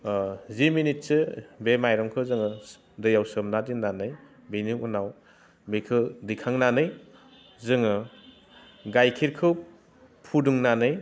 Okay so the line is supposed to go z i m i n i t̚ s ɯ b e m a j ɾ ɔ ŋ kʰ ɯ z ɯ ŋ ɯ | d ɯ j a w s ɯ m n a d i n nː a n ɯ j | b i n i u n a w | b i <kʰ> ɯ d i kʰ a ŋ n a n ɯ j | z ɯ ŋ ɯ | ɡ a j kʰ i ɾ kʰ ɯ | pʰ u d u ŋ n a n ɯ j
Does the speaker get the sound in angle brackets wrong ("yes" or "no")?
no